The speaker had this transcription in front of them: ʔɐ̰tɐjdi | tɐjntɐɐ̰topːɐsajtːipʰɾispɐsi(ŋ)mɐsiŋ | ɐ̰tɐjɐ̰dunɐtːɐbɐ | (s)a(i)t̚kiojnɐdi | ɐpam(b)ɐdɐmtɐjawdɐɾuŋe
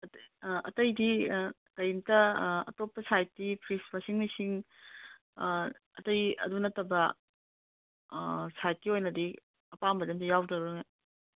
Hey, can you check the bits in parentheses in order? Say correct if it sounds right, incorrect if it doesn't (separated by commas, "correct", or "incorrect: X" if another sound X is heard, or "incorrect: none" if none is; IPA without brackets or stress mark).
correct, correct, incorrect: j, correct